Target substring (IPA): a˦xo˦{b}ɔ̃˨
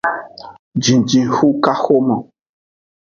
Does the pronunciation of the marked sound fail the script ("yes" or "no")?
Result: yes